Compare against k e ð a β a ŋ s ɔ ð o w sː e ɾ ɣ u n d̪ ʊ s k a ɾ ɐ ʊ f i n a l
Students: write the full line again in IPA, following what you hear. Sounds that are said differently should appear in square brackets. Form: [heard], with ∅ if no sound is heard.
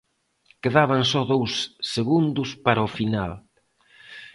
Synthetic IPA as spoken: k e ð a β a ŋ s ɔ ð o w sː e [∅] ɣ u n d̪ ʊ s [p] a ɾ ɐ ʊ f i n a l

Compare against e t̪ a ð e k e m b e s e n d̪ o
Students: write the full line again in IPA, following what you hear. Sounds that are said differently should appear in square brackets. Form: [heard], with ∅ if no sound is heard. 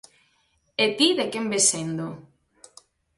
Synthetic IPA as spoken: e t̪ [i] ð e k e m b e s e n d̪ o

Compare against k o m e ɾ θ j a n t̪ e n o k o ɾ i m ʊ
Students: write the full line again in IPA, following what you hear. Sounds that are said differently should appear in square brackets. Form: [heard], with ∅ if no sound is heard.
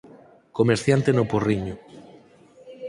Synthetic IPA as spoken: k o m e ɾ θ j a n t̪ e n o [p] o [r] i [ɲ] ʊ

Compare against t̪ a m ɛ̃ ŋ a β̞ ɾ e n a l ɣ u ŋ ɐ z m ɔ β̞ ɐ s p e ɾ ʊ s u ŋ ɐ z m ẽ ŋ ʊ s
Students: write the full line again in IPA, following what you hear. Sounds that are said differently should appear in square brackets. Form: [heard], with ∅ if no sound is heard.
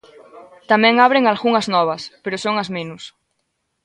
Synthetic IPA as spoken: t̪ a m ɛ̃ ŋ a β̞ ɾ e [ŋ] a l ɣ u ŋ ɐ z [n] ɔ β̞ ɐ s p e ɾ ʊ s [o] ŋ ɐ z m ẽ [n] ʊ s

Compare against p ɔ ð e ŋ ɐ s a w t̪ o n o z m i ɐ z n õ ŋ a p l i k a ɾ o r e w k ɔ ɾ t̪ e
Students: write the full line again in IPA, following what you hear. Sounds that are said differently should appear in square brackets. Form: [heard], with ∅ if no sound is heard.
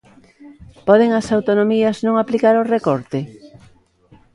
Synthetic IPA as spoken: p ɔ ð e ŋ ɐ s a w t̪ o n o [∅] m i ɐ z n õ ŋ a p l i k a ɾ o r e [∅] k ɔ ɾ t̪ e

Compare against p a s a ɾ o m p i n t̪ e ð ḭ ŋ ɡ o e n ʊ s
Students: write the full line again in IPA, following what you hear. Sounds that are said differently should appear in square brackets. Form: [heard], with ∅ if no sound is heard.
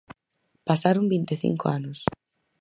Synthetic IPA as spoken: p a s a ɾ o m [b] i n t̪ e [θ] ḭ ŋ [k] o [a] n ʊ s

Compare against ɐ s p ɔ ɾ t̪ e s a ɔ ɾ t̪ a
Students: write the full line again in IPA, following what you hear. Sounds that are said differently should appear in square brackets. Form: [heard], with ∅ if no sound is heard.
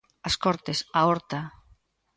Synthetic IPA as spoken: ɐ s [k] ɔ ɾ t̪ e s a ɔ ɾ t̪ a

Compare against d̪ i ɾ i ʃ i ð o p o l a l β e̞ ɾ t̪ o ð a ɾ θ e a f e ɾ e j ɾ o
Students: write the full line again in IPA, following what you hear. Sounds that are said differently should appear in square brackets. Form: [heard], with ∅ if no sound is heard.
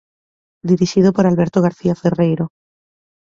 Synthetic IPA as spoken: d̪ i ɾ i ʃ i ð o p o [ɾ] a l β e̞ ɾ t̪ o [ɣ] a ɾ θ [i] a f e [r] e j ɾ o

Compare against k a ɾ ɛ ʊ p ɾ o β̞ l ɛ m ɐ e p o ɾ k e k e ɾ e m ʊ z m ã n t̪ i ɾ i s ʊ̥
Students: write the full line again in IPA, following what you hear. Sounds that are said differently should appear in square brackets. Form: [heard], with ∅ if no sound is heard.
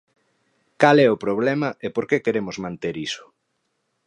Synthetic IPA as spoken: k a [l] ɛ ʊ p ɾ o β̞ l ɛ m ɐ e p o ɾ k e k e ɾ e m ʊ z m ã n t̪ [e] ɾ i s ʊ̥

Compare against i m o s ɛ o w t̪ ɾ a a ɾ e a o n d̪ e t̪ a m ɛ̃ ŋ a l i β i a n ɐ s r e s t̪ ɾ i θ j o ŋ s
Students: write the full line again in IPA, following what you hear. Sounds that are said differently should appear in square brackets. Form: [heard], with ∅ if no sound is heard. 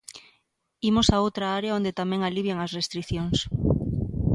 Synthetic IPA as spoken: i m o s [a] o w t̪ ɾ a a ɾ e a o n d̪ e t̪ a m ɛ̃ ŋ a l i β [j] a [ŋ] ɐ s r e s t̪ ɾ i θ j o ŋ s

